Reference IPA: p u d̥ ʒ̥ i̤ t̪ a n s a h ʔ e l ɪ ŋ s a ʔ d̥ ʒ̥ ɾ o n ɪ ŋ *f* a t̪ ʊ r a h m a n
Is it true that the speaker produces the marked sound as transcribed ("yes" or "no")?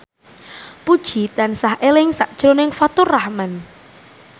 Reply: yes